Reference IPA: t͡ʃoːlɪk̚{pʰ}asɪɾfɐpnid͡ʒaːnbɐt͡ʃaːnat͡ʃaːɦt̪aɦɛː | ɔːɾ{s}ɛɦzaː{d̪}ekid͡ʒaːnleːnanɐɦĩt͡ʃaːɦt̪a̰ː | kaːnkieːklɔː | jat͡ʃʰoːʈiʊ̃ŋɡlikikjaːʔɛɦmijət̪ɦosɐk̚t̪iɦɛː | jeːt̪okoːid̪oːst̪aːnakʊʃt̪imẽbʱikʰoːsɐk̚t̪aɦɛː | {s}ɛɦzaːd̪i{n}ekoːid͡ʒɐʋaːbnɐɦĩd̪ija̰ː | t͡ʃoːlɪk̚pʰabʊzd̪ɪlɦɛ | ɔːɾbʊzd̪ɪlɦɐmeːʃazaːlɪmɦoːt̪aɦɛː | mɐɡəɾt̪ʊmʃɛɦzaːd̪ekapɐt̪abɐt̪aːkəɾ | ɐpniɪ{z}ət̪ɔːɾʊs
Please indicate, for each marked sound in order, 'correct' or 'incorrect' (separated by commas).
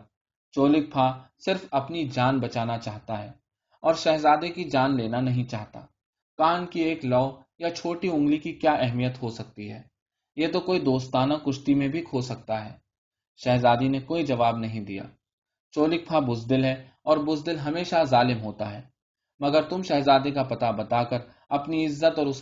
correct, incorrect, correct, incorrect, correct, incorrect